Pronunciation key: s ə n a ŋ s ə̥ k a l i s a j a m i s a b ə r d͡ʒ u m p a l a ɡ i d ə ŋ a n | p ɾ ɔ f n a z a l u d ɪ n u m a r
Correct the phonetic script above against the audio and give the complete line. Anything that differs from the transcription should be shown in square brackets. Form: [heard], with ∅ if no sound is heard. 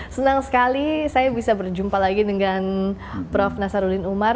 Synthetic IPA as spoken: s ə n a ŋ s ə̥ k a l i s a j a [b] i s a b ə r d͡ʒ u m p a l a ɡ i d ə ŋ a n | p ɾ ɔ f n a [s] a [ɾ] u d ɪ n u m a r